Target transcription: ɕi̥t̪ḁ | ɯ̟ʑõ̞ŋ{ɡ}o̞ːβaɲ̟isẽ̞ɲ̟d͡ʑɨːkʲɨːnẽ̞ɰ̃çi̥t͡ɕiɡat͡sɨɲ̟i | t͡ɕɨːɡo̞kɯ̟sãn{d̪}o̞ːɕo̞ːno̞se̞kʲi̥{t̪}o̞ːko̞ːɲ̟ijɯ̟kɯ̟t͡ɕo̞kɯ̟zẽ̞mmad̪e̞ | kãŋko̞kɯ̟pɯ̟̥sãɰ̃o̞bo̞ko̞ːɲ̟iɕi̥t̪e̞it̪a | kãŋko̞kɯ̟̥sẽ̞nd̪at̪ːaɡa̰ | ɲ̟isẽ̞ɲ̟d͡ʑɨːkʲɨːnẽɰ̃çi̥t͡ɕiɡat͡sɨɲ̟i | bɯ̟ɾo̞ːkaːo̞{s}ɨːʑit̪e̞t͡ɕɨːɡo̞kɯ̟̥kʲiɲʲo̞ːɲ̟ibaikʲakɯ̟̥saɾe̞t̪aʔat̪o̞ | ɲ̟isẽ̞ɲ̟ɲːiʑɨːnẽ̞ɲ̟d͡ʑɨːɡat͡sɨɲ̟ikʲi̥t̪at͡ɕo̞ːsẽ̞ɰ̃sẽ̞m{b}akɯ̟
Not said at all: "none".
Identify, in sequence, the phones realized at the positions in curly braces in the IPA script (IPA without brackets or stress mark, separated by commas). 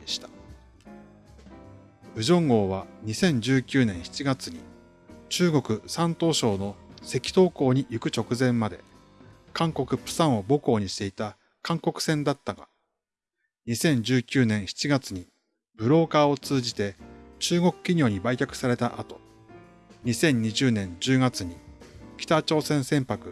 ɡ, t̪, t̪, t͡s, p